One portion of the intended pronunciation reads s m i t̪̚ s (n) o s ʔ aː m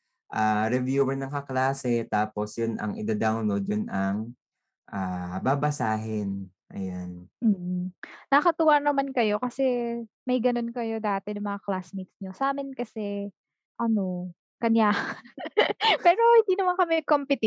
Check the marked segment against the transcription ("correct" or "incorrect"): incorrect